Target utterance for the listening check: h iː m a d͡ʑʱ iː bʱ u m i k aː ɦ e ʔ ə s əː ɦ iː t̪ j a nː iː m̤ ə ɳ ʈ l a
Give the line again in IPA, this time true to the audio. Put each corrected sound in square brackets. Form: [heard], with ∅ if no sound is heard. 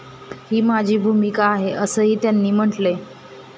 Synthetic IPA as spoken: h iː m a d͡ʑʱ iː bʱ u m i k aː ɦ e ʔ ə s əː ɦ iː t̪ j a nː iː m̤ ə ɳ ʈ l [e]

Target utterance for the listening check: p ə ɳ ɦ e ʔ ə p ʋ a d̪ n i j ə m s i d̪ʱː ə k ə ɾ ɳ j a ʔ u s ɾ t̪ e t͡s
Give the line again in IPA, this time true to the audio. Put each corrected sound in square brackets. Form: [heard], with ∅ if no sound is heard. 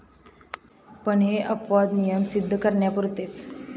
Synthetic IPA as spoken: p ə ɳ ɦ e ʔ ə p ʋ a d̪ n i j ə m s i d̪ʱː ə k ə ɾ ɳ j a [p] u [∅] ɾ t̪ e t͡s

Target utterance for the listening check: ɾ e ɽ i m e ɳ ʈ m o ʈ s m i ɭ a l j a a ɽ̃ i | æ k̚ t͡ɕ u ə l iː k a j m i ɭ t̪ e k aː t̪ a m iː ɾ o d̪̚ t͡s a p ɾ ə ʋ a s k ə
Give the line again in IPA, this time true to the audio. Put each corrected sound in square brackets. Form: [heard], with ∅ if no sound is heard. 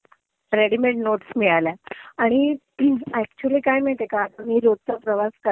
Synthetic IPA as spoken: ɾ e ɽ i m e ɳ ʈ [n] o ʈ s m i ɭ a l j a a ɽ̃ i | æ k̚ t͡ɕ u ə l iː k a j m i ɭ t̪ e k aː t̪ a m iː ɾ o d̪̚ t͡s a p ɾ ə ʋ a s k ə

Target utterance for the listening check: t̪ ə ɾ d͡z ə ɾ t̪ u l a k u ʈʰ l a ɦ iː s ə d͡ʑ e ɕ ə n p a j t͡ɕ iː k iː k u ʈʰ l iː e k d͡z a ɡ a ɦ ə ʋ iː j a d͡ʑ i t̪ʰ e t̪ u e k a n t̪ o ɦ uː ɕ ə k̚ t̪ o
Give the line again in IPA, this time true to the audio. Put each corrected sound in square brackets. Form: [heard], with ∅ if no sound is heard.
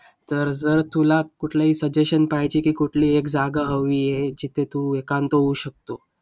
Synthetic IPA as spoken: t̪ ə ɾ d͡z ə ɾ t̪ u l a k u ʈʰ l a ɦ iː s ə d͡ʑ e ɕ ə n p a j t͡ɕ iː k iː k u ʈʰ l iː e k d͡z a ɡ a ɦ ə ʋ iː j [e] d͡ʑ i t̪ʰ e t̪ u e k a n t̪ o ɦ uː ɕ ə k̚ t̪ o

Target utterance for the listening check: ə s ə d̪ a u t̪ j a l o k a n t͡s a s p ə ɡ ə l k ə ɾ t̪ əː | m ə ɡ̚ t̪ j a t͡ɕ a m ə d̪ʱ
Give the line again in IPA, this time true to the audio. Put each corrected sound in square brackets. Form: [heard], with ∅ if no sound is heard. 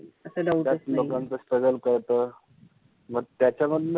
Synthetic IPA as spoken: ə s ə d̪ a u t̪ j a l o k a n t͡s [ə] s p ə ɡ ə l k ə ɾ t̪ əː | m ə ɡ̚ t̪ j a t͡ɕ a m ə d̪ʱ

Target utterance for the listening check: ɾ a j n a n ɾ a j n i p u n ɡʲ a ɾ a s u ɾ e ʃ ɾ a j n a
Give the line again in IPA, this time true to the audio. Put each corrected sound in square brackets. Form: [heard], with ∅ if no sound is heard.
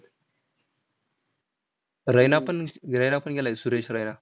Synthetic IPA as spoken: ɾ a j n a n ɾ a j n [a] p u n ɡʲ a [l] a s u ɾ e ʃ ɾ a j n a

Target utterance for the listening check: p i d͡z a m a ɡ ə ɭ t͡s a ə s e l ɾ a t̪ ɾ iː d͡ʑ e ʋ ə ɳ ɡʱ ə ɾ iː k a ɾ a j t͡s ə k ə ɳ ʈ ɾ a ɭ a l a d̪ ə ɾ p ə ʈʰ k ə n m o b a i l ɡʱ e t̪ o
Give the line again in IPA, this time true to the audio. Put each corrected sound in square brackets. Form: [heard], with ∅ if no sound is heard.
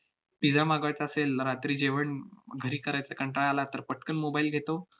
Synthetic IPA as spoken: p i d͡z a m a ɡ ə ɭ t͡s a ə s e l ɾ a t̪ ɾ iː d͡ʑ e ʋ ə ɳ ɡʱ ə ɾ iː k [ə] ɾ a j t͡s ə k ə ɳ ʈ ɾ a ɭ a l a [t̪] ə ɾ p ə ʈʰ k ə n m o b a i l ɡʱ e t̪ o

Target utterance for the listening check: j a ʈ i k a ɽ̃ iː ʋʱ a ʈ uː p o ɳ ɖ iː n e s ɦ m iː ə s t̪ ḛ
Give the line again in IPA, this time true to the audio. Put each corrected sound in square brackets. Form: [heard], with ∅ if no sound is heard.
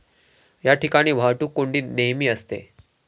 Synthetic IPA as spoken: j a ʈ i k a ɽ̃ iː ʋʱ a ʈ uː [k] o ɳ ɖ iː n e [∅] ɦ m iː ə s t̪ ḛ

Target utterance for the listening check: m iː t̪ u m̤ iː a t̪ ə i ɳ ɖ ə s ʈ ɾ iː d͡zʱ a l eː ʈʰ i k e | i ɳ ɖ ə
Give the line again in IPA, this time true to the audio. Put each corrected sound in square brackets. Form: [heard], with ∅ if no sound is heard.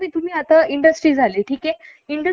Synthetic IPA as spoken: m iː t̪ u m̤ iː a t̪ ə i ɳ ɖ ə s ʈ ɾ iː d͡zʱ a l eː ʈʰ [iː] k e | i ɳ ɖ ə

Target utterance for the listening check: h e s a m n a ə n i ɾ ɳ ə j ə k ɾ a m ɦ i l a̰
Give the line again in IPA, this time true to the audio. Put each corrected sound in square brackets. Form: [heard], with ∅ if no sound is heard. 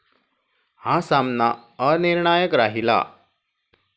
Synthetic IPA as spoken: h [a] s a m n a ə n i ɾ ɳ [a] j ə k ɾ a [∅] ɦ i l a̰

